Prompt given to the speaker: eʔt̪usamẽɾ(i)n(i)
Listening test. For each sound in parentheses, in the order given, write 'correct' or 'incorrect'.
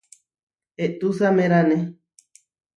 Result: incorrect: a, incorrect: e

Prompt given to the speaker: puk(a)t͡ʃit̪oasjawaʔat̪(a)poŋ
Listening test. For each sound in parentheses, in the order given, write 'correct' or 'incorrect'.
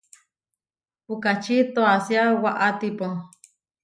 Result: correct, incorrect: i

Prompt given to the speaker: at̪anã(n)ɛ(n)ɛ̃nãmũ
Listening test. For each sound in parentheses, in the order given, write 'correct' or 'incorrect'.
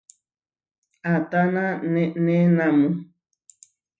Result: correct, correct

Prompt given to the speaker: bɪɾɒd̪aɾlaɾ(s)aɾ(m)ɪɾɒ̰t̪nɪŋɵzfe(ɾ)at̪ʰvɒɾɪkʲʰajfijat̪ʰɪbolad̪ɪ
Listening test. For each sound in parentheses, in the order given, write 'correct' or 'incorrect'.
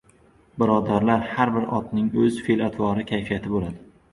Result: incorrect: h, incorrect: b, incorrect: l

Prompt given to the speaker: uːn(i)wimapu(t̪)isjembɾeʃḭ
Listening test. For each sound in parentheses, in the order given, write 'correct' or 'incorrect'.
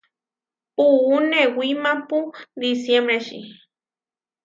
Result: incorrect: e, incorrect: d̪

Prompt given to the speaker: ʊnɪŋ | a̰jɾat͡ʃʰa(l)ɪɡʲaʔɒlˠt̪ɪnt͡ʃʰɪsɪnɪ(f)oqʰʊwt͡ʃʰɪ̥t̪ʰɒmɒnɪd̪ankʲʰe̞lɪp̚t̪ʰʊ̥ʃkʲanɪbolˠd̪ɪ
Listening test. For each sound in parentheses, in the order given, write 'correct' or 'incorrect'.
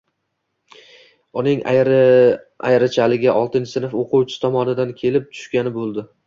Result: correct, correct

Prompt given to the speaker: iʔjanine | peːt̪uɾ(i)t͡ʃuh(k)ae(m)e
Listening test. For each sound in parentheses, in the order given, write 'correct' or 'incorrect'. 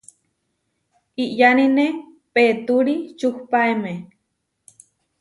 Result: correct, incorrect: p, correct

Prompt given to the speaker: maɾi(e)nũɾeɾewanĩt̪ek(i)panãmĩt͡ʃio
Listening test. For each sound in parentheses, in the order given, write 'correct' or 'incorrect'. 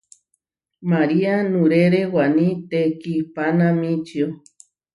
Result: incorrect: a, correct

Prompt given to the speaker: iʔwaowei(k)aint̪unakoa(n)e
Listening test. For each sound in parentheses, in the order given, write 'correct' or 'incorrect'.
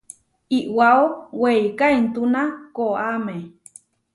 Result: correct, incorrect: m

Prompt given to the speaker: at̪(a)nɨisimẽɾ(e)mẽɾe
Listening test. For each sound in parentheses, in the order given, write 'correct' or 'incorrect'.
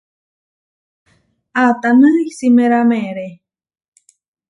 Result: correct, incorrect: a

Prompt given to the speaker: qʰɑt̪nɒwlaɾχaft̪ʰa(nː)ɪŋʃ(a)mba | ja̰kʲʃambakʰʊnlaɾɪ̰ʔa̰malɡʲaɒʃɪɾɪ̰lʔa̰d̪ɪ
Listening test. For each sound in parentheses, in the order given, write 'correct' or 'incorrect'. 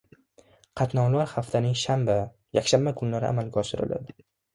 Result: incorrect: n, correct

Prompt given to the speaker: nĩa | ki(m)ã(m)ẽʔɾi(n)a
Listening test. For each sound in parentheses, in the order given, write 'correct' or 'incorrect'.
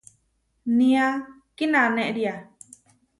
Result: incorrect: n, incorrect: n, incorrect: none

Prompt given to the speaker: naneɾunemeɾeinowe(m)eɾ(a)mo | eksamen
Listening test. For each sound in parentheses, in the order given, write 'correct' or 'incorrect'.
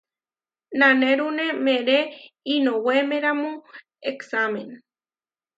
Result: correct, correct

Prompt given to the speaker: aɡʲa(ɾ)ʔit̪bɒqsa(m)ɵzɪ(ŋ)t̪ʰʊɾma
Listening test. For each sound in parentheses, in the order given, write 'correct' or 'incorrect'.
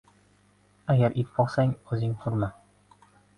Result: correct, incorrect: ŋ, correct

